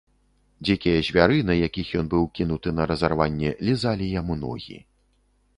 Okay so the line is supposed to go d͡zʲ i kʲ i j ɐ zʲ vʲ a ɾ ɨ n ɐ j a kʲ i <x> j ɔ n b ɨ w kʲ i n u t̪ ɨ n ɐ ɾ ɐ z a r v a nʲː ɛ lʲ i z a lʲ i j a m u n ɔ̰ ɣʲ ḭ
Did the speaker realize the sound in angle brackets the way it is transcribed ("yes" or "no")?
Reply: yes